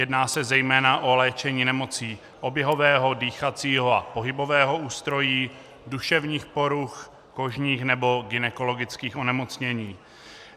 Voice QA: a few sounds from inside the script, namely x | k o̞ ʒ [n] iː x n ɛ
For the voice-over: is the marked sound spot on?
no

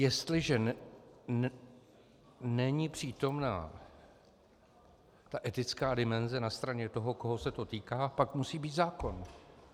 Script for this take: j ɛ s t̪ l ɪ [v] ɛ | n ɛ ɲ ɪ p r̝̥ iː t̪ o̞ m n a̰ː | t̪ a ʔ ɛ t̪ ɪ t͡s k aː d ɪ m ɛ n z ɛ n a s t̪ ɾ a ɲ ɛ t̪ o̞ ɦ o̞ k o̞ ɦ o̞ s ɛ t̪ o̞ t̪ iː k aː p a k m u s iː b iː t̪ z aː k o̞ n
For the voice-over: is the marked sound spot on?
no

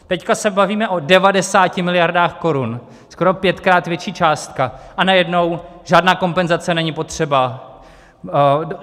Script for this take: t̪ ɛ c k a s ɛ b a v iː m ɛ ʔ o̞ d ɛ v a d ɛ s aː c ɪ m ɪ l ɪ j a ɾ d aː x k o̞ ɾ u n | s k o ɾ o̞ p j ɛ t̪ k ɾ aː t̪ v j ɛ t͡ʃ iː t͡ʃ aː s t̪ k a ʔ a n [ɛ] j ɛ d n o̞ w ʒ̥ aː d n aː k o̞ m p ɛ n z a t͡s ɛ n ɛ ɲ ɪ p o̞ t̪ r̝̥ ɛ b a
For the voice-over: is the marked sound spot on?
no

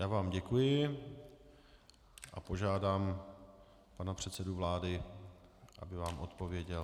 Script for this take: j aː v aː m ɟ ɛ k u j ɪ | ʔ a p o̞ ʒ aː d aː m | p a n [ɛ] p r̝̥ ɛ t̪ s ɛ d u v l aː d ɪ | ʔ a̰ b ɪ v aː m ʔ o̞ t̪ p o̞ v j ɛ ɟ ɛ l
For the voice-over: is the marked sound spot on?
no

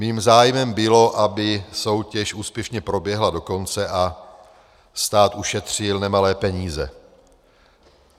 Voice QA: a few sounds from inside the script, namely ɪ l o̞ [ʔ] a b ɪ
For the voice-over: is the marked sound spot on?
yes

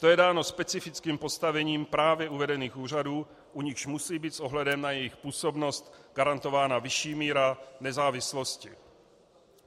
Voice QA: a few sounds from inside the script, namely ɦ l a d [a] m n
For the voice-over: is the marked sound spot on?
no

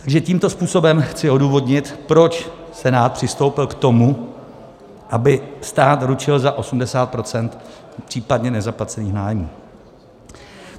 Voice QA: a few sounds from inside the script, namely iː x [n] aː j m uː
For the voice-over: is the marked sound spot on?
yes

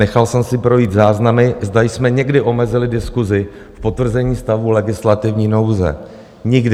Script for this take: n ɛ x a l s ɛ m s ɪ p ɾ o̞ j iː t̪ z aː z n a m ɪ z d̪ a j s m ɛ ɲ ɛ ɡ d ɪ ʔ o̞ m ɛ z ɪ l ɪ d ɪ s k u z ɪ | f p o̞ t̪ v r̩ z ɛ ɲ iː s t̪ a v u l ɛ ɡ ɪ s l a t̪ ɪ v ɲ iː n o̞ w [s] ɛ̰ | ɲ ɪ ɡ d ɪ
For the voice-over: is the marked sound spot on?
no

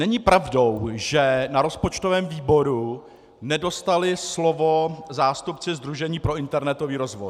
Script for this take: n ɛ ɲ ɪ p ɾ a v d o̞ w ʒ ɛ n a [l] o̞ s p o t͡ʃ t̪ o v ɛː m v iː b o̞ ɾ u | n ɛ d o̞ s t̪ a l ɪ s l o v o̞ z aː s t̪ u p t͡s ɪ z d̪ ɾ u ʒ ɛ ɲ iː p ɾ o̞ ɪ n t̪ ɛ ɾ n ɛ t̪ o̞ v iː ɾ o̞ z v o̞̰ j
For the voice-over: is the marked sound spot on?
no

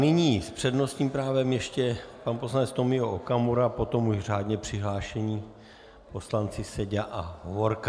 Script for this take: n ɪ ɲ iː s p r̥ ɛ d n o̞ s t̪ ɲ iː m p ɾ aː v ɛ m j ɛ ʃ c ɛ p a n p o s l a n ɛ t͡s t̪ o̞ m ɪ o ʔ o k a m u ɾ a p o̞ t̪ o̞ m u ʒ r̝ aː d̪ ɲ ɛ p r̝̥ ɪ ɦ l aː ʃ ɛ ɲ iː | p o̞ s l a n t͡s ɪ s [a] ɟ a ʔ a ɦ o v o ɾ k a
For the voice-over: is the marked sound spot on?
no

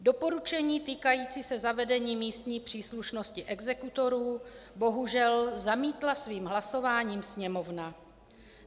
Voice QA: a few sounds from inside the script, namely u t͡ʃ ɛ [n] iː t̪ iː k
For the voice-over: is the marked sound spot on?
no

